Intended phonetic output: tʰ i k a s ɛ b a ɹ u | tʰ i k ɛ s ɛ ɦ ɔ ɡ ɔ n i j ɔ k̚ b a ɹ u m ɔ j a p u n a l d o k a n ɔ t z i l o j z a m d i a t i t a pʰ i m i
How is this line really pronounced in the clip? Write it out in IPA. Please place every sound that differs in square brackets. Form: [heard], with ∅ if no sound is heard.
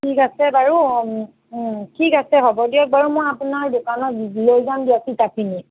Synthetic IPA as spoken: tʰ i k a s ɛ b a ɹ u | tʰ i k [a] s ɛ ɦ ɔ [b] ɔ [d] i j ɔ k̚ b a ɹ u m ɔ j a p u n a [ɹ] d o k a n ɔ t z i l o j z a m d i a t i t a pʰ i [n] i